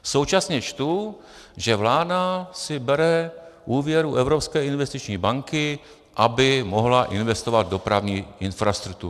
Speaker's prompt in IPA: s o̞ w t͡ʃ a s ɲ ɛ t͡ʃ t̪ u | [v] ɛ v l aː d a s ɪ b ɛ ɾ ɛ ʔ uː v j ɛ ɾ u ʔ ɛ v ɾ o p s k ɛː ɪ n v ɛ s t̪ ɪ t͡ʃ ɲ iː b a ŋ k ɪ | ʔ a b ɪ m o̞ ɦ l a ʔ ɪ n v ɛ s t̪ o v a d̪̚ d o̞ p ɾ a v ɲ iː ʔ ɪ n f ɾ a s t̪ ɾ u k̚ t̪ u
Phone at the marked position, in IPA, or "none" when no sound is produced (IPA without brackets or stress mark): ʒ